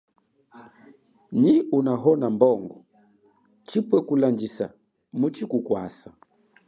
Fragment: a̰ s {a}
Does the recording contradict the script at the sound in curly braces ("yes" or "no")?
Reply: no